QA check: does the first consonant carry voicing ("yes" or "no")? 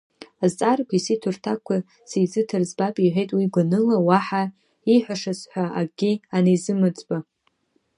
yes